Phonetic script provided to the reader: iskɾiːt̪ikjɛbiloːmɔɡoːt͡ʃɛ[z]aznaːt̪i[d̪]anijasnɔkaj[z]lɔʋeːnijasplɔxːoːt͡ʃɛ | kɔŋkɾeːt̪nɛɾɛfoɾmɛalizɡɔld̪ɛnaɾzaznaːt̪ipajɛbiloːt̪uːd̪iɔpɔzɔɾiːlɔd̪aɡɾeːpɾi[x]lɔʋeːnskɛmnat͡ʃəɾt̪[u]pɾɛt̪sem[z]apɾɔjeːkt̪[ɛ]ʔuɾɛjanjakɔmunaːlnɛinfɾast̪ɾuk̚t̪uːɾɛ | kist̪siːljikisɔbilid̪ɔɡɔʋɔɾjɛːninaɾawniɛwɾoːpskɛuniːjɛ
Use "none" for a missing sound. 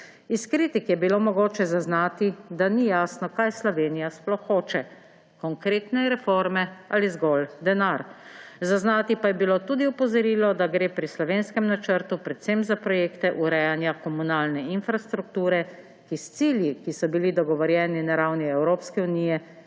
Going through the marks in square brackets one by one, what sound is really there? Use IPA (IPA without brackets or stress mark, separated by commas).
z, d̪, s, s, u, z, ɛ